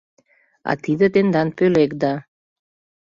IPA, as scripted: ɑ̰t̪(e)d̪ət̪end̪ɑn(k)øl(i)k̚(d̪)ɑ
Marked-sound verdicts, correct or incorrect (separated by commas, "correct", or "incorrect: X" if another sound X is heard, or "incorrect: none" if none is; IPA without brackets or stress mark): incorrect: i, incorrect: p, incorrect: e, correct